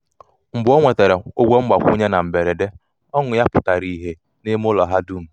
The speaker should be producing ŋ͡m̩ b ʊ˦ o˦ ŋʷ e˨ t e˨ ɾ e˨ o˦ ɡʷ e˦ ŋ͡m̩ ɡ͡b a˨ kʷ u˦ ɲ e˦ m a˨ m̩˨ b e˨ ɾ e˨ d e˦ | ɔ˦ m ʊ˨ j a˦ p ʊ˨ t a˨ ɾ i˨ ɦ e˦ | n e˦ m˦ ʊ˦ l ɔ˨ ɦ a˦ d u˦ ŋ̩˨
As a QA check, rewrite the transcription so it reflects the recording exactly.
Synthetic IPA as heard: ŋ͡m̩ b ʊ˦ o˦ ŋʷ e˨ t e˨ ɾ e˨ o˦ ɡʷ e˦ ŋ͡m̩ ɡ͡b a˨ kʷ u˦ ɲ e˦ n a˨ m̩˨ b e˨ ɾ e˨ d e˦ | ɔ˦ ŋ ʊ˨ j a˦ p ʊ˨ t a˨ ɾ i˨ ɦ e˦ | n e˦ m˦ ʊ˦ l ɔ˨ ɦ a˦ d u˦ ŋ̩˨